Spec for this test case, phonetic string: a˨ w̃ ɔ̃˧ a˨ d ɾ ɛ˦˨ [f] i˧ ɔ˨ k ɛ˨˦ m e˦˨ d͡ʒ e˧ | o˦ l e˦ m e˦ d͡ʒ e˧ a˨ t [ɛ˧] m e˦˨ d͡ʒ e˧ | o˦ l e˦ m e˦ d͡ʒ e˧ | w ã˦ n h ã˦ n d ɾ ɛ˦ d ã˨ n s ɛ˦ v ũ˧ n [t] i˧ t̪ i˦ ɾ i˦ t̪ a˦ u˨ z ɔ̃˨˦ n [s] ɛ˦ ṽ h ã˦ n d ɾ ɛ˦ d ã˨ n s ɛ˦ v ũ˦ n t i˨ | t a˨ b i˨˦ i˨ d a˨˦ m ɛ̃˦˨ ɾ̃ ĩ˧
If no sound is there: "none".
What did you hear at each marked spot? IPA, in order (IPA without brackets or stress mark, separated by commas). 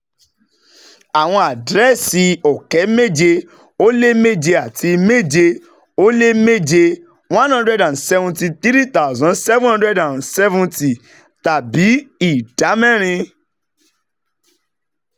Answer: s, i˧, t, s